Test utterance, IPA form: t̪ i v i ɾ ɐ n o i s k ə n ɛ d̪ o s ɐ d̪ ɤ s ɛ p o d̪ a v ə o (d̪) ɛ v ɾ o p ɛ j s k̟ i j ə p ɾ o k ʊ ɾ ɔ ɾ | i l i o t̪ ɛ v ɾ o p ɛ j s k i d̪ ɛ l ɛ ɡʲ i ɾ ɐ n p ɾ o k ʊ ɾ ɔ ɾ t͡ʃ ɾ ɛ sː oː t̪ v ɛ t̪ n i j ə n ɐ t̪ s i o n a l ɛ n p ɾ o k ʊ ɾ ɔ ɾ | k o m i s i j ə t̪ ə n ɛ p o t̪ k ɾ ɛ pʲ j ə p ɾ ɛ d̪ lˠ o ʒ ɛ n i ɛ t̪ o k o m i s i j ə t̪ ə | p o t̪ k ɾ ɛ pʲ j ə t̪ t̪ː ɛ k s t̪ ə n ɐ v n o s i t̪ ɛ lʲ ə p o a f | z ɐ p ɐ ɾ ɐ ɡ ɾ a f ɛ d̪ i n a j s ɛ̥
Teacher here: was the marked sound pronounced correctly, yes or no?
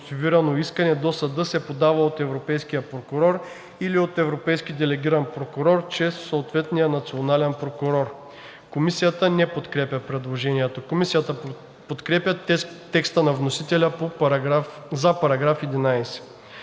no